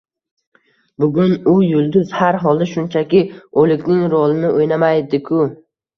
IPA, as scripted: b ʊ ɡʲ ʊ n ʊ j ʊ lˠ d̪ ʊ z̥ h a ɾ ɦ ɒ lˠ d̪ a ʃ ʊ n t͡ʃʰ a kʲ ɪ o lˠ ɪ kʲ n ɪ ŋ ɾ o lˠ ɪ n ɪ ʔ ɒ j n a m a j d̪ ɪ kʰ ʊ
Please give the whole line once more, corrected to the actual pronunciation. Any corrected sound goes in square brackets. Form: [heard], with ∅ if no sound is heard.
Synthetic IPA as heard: b ʊ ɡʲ ʊ n ʊ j ʊ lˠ d̪ ʊ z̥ h a ɾ ɦ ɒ lˠ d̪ a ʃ ʊ n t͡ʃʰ a kʲ ɪ o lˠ ɪ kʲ n ɪ ŋ ɾ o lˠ ɪ n ɪ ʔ [o] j n a m a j d̪ ɪ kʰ ʊ